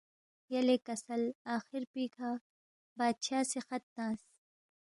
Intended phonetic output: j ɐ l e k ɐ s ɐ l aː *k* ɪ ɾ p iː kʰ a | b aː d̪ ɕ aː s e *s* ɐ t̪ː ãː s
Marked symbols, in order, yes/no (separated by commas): no, no